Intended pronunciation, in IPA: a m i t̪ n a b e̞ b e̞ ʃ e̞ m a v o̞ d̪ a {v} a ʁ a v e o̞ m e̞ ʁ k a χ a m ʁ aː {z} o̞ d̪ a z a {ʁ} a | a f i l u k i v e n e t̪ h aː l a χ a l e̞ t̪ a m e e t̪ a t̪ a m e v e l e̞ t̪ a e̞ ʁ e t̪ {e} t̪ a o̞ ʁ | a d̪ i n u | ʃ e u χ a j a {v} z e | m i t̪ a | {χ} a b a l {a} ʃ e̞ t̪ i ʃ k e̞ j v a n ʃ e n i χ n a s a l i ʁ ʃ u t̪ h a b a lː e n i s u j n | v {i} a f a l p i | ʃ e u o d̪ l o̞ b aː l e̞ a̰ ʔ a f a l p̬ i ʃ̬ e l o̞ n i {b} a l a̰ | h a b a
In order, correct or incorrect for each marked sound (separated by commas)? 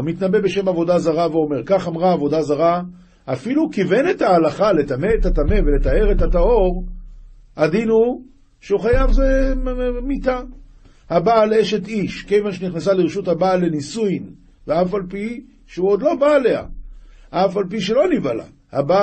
incorrect, incorrect, correct, incorrect, correct, incorrect, incorrect, incorrect, incorrect